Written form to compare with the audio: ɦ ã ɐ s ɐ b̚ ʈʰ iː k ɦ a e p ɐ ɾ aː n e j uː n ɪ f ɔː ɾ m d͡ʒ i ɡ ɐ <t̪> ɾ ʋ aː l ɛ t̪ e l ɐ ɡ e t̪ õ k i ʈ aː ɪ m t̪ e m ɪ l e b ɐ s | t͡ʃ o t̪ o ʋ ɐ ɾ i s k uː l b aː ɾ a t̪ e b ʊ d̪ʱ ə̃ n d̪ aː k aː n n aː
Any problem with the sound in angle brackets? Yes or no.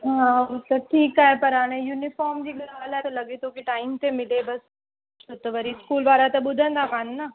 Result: yes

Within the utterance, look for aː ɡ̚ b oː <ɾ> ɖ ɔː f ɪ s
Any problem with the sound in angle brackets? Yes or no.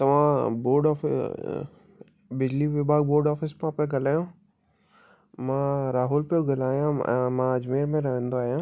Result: no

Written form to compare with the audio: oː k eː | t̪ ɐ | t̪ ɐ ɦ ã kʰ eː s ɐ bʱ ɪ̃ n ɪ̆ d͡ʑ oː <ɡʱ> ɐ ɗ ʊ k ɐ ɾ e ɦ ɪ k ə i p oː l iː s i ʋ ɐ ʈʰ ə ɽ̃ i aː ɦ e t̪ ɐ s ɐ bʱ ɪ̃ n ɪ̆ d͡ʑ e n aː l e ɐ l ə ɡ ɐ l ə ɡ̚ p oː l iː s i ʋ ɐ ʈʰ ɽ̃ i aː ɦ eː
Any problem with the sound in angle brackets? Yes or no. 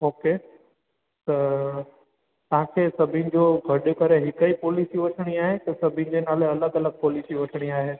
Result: no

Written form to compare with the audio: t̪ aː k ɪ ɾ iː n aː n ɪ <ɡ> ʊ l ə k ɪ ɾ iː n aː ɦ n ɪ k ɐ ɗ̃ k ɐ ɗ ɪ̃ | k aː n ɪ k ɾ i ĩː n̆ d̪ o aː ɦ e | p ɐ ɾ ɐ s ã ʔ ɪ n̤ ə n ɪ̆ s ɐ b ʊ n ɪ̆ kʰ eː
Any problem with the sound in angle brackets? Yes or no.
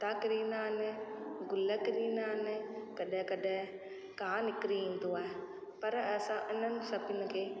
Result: no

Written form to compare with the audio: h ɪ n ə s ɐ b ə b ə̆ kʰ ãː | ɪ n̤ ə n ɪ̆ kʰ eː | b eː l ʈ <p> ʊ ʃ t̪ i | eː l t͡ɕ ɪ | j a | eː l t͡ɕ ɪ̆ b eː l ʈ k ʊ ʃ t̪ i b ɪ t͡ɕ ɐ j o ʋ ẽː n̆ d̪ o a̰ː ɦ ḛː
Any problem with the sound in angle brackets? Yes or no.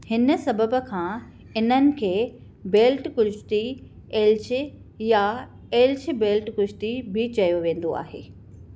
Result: yes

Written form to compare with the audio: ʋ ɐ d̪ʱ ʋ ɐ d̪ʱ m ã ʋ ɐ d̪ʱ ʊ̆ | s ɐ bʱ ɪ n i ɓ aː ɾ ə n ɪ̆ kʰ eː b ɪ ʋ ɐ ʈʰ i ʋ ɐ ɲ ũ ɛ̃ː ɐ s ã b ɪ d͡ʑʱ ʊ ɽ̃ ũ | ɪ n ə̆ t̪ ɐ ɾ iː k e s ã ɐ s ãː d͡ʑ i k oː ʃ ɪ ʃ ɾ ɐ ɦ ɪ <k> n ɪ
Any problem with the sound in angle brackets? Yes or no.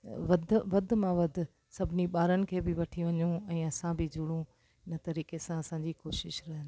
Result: yes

